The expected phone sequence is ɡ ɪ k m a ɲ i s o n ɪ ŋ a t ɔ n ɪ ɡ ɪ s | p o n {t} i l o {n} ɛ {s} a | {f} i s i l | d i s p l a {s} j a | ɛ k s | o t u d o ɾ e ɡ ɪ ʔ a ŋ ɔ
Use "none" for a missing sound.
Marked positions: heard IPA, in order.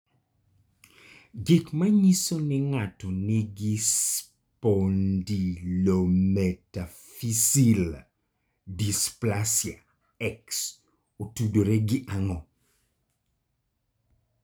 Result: d, m, t, f, s

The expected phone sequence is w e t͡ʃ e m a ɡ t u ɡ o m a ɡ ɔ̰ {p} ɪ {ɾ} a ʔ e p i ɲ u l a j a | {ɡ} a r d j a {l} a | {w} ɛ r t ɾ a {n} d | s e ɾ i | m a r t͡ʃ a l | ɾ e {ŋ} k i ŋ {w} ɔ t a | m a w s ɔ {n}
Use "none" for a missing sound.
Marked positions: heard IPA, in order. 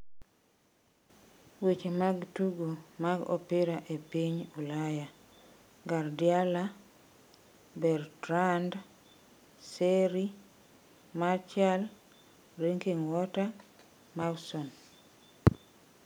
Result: p, ɾ, ɡ, l, b, n, ŋ, w, n

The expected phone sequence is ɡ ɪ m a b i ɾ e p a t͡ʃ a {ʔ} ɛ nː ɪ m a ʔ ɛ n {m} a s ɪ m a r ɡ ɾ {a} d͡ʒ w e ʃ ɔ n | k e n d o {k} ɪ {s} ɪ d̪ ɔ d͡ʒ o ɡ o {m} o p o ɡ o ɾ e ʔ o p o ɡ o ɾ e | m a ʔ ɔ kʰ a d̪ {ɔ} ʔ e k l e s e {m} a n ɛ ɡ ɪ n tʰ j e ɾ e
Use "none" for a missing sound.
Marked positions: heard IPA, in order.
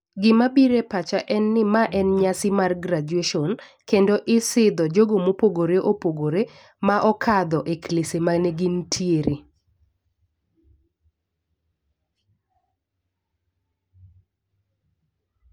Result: ʔ, ɲ, a, ʔ, s, m, ɔ, m

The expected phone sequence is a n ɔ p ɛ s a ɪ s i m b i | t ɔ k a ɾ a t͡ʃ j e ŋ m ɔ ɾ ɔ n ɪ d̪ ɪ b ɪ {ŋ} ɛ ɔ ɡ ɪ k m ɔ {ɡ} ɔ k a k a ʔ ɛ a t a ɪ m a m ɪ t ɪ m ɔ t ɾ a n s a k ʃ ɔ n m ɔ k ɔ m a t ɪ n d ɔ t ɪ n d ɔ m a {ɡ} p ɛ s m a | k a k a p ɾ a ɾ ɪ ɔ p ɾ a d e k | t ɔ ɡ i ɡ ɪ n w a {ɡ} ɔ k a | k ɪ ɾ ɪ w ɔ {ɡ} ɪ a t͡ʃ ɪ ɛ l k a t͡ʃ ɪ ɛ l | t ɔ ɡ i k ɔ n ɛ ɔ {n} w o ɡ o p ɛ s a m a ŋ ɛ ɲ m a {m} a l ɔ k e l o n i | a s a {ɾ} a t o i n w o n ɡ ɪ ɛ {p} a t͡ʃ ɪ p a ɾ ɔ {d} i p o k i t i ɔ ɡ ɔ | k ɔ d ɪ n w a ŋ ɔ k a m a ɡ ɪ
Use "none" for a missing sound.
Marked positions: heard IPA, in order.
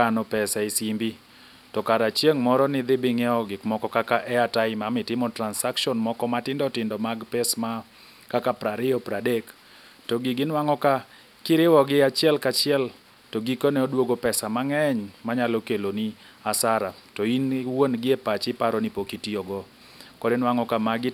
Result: ŋ, k, ɡ, ŋ, ɡ, d, ɲ, ɾ, p, n

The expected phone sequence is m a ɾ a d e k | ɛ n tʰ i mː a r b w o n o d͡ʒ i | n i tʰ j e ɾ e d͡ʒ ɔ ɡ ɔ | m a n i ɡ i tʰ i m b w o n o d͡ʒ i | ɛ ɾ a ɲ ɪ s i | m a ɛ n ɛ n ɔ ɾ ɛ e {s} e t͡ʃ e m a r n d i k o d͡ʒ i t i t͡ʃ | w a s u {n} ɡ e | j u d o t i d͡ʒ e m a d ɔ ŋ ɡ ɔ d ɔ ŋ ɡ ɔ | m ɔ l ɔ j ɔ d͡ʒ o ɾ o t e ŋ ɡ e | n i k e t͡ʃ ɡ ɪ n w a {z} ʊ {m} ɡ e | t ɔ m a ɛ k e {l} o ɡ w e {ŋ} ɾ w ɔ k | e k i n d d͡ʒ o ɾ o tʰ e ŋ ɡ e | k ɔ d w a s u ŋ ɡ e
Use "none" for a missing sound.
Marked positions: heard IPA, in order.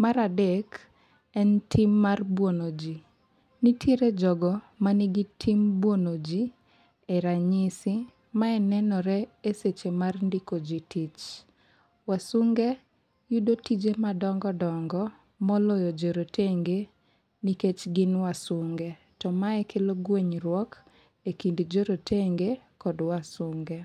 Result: s, ŋ, s, ŋ, l, ɲ

